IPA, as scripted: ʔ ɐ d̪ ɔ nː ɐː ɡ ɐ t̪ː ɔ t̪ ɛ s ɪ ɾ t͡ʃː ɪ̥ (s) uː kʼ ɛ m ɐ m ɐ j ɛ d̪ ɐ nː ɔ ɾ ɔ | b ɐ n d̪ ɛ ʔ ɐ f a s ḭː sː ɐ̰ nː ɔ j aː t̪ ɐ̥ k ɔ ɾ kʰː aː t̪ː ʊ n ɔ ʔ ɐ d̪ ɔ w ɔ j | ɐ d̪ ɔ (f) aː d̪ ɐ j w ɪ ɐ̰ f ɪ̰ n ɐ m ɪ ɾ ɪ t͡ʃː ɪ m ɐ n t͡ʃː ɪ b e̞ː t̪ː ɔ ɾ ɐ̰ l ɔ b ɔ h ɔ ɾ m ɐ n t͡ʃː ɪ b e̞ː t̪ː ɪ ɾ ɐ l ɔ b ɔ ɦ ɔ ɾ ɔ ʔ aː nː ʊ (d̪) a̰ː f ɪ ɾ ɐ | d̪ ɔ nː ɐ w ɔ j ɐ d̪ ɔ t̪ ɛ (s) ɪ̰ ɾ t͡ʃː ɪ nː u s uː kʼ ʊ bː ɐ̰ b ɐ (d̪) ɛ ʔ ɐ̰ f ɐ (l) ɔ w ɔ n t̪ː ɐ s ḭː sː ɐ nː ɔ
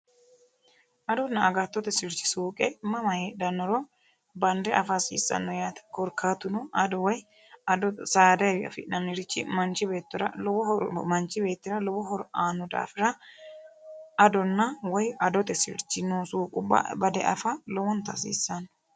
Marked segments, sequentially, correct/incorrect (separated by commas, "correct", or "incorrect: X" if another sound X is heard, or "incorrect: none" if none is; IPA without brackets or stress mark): correct, incorrect: s, correct, correct, correct, correct